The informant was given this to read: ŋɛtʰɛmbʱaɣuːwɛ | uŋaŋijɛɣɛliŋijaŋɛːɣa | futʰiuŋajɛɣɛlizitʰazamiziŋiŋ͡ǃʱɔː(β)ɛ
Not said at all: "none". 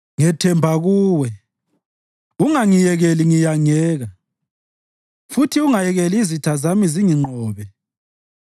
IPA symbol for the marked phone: β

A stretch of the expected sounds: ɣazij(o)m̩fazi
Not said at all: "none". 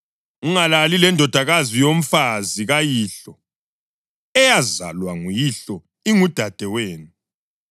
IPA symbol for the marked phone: o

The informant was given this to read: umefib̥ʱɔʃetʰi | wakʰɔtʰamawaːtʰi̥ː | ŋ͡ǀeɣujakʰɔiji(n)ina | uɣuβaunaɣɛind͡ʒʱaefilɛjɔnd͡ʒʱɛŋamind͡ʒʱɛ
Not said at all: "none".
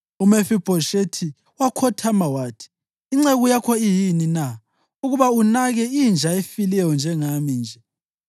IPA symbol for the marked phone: n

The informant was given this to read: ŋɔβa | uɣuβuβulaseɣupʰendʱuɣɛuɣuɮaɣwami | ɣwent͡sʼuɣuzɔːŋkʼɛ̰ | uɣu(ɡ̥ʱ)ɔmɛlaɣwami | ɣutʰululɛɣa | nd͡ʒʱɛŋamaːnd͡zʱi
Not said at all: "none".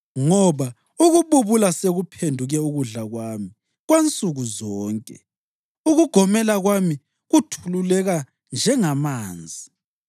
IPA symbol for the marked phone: ɡ̥ʱ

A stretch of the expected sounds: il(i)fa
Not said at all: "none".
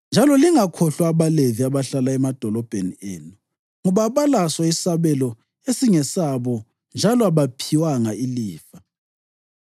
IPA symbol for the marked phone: iː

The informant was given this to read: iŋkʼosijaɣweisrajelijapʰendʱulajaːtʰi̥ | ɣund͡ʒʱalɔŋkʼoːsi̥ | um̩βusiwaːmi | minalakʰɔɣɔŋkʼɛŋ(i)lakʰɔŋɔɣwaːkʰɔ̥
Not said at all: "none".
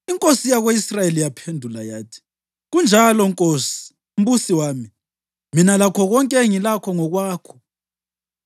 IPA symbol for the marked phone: i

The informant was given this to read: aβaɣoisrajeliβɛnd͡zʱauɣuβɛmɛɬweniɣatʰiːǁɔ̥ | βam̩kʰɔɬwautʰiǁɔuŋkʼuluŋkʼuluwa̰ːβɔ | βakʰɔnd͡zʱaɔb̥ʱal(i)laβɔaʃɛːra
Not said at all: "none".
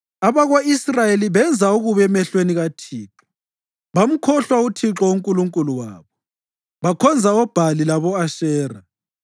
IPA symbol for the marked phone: i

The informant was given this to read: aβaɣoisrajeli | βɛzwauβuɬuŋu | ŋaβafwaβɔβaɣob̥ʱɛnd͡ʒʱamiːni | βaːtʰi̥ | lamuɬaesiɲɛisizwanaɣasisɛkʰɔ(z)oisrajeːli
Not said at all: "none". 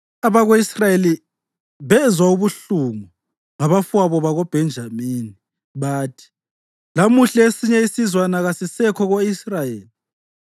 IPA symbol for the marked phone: ɣ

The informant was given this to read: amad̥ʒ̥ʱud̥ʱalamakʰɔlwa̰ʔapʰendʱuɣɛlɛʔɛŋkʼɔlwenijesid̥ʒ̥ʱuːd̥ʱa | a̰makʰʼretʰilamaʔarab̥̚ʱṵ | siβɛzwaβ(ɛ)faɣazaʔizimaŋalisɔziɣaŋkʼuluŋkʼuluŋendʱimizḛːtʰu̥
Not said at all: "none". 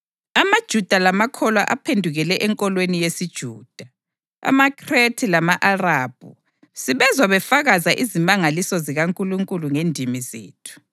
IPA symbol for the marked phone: ɛ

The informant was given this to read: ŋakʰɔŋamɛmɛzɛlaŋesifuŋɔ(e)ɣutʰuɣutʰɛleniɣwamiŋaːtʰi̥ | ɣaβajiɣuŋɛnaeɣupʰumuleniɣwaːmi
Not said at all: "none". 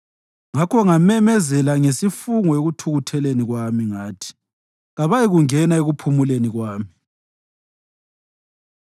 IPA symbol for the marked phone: e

